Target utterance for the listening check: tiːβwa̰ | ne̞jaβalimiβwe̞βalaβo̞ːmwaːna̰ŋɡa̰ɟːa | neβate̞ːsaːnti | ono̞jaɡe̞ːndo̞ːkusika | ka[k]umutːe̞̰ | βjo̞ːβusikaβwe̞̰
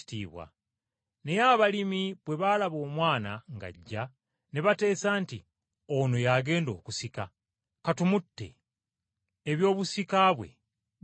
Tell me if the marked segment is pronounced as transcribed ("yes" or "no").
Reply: no